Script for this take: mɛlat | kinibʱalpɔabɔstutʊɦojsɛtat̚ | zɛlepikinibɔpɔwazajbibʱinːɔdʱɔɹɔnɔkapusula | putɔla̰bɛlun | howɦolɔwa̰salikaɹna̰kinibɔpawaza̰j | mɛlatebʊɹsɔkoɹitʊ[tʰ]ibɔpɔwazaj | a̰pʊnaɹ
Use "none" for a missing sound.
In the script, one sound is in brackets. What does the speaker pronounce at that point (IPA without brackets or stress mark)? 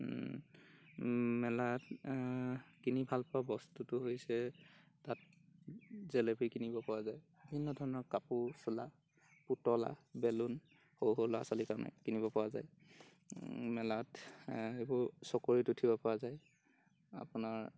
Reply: tʰ